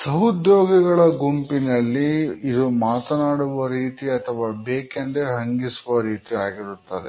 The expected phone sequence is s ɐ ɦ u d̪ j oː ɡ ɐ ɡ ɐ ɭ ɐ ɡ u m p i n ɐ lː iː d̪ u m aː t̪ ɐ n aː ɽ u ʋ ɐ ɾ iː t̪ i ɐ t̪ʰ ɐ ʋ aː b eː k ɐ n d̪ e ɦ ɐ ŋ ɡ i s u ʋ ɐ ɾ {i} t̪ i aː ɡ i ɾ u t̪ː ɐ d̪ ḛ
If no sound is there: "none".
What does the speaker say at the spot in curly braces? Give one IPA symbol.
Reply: iː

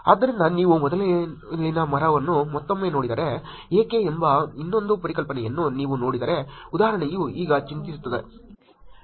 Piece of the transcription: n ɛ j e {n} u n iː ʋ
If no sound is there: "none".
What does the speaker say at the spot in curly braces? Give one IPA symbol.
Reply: nː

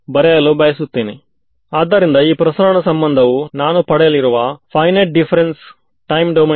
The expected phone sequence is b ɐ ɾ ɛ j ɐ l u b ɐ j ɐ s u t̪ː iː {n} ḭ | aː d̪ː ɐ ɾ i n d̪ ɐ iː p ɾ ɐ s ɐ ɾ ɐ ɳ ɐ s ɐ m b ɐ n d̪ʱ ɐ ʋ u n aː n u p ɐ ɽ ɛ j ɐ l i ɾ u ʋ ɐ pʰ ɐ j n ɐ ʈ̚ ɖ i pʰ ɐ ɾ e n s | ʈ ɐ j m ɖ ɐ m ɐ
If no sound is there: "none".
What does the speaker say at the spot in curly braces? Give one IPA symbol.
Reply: n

